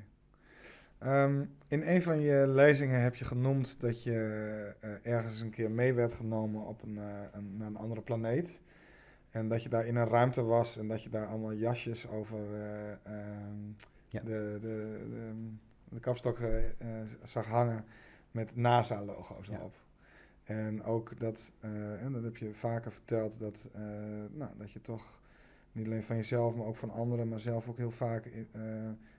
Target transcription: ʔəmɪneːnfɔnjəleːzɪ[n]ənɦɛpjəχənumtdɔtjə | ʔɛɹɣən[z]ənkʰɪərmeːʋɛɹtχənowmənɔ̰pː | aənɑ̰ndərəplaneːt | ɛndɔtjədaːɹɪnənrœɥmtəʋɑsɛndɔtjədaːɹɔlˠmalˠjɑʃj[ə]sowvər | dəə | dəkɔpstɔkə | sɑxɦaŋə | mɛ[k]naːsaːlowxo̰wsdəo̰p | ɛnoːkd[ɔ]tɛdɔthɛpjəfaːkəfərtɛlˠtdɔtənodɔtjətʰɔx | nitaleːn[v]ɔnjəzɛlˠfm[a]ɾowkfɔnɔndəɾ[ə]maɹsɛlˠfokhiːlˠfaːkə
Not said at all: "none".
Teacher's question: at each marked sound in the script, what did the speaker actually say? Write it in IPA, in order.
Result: ŋ, s, ə, t, ɔ, f, a, ə

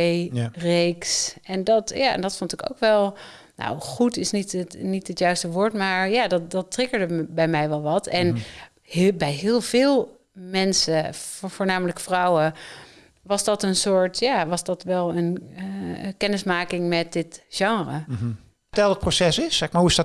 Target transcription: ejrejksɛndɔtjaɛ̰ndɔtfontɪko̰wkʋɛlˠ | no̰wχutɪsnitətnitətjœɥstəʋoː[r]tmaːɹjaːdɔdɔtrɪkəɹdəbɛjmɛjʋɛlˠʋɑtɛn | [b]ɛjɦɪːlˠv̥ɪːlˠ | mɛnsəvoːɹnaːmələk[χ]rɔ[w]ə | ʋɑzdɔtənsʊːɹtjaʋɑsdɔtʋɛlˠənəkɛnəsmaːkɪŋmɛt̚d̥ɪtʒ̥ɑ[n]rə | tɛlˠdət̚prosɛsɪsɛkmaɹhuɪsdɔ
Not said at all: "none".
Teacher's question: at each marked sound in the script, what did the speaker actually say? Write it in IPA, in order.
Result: ɹ, b, f, w, ŋ

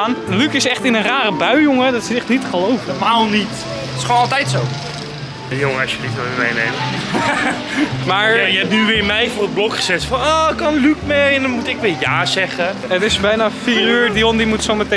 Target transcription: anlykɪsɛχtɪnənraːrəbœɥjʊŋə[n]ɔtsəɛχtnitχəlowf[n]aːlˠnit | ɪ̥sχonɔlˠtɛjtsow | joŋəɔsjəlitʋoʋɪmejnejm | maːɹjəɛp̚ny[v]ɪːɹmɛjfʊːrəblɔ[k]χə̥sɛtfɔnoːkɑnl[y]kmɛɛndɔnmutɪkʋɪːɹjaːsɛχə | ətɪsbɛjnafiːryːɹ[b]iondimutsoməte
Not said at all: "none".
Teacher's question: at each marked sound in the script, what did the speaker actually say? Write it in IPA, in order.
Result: d, m, ʋ, k, y, d

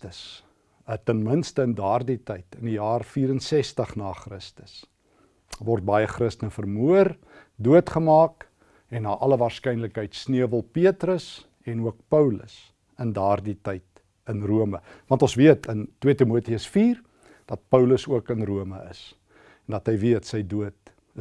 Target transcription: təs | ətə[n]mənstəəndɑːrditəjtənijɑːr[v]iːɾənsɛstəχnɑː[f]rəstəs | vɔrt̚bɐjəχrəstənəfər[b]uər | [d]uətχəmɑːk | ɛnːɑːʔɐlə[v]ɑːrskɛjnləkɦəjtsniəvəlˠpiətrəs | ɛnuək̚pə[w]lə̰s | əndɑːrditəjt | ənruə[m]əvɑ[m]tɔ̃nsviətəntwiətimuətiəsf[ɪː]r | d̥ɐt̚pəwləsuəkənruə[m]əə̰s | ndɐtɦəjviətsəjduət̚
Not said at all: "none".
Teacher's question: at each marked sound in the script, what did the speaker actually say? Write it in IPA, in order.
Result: n, f, χ, m, d, v, w, m, n, iː, m

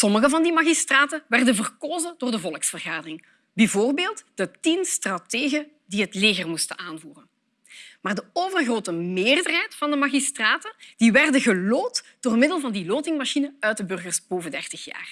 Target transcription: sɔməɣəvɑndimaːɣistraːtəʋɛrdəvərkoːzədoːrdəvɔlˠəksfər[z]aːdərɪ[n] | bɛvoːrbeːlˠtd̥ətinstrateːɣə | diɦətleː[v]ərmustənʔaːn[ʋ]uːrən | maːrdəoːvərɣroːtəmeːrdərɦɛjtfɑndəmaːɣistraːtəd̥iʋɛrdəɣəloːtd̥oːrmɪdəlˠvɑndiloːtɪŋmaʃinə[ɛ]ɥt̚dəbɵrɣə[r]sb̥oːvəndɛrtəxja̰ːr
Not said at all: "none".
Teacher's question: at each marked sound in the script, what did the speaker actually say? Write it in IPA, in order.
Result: ɣ, ŋ, ɣ, v, œ, r

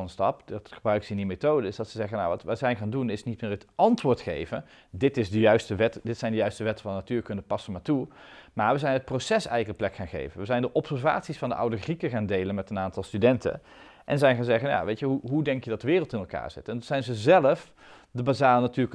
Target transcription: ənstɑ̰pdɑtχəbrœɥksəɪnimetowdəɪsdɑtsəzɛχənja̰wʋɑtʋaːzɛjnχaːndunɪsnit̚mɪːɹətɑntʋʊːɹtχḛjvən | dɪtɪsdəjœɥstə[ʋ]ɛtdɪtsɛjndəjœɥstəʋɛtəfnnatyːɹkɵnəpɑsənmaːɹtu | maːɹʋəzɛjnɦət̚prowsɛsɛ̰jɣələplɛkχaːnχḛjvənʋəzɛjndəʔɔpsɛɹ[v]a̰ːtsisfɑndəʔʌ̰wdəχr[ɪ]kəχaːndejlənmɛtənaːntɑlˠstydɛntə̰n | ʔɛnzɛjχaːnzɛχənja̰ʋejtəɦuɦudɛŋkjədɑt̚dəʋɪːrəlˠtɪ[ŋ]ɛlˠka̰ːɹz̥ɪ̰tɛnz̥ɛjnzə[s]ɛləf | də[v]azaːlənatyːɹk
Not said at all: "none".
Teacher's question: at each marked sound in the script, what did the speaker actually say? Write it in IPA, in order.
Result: ʋ, v, i, n, z, b

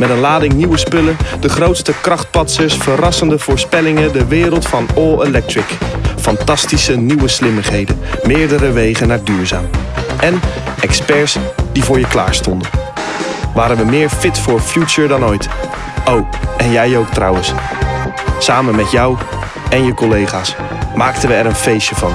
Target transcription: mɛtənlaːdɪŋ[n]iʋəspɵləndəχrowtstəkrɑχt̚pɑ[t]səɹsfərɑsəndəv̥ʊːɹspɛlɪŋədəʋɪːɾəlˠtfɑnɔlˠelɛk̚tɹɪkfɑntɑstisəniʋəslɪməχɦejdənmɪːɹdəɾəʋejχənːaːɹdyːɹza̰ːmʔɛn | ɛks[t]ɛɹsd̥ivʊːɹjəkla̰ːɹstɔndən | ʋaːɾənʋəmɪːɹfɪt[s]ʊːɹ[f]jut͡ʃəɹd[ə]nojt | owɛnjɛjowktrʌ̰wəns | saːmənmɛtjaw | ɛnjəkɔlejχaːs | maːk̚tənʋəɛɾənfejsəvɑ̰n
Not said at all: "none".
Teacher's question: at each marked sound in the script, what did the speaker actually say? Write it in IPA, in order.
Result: n, t, p, f, f, ɑ

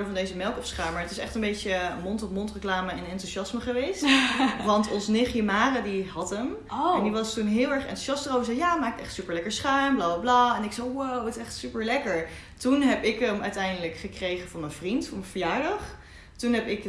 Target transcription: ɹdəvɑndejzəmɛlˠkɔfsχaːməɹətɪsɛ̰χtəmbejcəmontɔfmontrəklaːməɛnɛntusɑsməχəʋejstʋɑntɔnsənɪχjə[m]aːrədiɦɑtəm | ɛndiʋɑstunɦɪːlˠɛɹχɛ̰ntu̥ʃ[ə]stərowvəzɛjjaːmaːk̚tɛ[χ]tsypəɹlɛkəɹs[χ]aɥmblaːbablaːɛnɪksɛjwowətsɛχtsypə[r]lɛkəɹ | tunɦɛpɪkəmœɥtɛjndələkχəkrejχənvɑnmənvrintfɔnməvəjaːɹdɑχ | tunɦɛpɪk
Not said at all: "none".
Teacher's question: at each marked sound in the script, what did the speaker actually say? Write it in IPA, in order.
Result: m, ɑ, χ, χ, ɹ

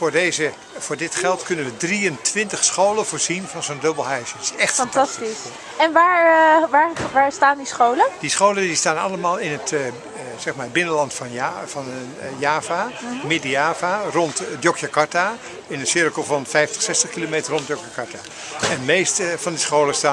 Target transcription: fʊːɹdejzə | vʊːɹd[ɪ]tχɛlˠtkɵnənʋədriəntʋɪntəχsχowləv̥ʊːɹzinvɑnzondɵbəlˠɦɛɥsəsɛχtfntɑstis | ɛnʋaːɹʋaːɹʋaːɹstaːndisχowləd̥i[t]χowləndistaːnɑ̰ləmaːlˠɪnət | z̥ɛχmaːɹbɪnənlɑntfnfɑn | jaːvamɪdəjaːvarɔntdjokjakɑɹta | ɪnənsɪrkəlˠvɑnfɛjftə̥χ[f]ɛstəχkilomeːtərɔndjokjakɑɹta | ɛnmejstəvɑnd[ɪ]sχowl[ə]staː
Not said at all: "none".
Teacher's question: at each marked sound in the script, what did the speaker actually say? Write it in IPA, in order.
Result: ɪ, s, s, i, ə

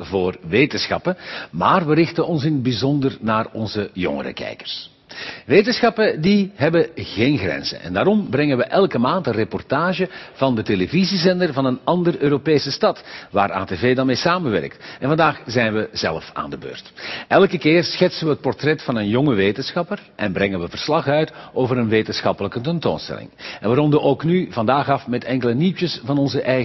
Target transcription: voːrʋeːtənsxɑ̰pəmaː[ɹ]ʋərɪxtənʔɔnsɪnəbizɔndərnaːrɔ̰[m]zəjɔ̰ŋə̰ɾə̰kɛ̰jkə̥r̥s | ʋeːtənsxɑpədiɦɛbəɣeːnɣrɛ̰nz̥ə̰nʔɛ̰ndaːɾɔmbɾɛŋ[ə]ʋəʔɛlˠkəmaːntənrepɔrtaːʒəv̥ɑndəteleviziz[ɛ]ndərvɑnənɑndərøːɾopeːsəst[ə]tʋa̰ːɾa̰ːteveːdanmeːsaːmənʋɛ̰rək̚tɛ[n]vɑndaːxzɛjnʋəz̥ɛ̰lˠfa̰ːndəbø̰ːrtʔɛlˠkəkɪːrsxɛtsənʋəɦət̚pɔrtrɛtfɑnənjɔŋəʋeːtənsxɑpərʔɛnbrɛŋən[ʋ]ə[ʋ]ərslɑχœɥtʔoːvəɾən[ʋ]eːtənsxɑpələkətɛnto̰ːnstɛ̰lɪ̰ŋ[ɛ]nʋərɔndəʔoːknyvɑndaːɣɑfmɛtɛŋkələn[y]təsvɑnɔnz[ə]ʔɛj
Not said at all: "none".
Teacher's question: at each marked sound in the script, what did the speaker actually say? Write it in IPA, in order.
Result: r, n, ə, ɛ, ɑ, n, ʋ, v, ʋ, ɛ, i, ə

